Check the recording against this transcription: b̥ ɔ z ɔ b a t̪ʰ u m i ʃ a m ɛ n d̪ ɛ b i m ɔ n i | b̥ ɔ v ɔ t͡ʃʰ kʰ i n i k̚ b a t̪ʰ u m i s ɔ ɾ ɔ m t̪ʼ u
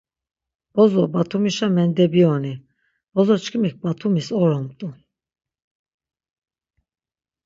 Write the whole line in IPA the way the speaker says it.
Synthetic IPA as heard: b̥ ɔ z ɔ b a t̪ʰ u m i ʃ a m ɛ n d̪ ɛ b i ɔ n i | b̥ ɔ z ɔ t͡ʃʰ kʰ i m i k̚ b a t̪ʰ u m i s ɔ ɾ ɔ m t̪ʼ u